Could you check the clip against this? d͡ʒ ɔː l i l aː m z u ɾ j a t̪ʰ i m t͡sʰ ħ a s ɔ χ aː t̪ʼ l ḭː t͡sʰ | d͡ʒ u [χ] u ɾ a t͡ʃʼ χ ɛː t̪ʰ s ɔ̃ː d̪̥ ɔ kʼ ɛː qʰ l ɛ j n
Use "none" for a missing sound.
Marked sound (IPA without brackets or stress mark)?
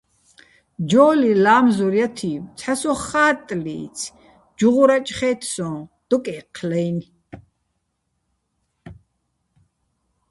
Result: ʁ